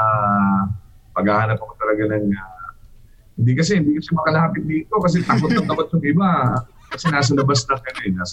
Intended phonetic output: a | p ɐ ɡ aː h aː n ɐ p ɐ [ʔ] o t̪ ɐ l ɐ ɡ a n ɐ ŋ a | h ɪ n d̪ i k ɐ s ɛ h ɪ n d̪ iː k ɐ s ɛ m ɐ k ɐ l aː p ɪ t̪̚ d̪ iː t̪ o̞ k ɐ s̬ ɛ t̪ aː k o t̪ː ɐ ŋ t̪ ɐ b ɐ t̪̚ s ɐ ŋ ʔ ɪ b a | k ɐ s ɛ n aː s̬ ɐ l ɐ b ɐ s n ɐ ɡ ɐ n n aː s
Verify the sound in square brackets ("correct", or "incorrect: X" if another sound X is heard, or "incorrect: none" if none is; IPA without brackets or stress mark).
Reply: incorrect: k